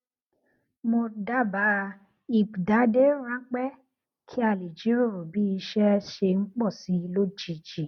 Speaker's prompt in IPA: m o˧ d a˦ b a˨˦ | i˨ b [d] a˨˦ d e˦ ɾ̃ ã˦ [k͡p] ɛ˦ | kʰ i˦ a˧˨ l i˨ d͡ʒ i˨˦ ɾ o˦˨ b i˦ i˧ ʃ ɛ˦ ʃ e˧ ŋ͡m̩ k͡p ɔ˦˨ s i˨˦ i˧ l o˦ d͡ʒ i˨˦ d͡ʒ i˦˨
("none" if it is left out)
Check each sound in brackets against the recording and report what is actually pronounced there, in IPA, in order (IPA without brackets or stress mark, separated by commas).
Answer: d, k͡p